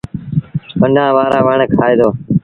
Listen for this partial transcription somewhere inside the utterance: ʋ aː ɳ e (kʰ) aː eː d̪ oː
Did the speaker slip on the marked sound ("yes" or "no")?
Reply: no